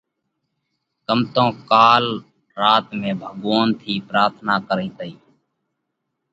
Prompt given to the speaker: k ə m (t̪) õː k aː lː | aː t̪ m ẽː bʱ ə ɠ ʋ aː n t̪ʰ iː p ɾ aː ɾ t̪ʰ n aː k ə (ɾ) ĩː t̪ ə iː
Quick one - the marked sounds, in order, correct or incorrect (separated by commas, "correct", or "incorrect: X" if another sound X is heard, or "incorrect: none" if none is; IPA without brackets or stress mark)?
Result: correct, correct